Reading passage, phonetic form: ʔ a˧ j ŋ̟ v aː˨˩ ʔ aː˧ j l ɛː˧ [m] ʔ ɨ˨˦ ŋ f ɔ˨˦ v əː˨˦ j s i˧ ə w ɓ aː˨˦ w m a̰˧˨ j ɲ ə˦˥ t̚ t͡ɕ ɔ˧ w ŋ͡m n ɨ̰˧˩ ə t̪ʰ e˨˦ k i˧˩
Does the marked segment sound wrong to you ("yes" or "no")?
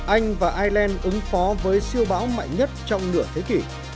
yes